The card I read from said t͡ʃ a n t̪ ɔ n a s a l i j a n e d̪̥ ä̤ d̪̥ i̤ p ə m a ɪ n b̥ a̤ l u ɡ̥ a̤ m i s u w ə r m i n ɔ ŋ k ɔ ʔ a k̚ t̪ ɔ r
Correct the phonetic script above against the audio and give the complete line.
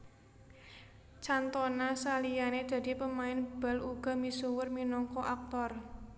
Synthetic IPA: t͡ʃ a n t̪ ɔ n a s a l i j a n e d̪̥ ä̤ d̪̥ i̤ p ə m a ɪ n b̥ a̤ l u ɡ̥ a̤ m i s u w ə r m i n ɔ ŋ k ɔ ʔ a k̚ t̪ ɔ r